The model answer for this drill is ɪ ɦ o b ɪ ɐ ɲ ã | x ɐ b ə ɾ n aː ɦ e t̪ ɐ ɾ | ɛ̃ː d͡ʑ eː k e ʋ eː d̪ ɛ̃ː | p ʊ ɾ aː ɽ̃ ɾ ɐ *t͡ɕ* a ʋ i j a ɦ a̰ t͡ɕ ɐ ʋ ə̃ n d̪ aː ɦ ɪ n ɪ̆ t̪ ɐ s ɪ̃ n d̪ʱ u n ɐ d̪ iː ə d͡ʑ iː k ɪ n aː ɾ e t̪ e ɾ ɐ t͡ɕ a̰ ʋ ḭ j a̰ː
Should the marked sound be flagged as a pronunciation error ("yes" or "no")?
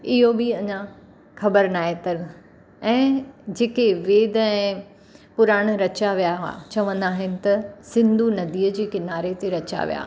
no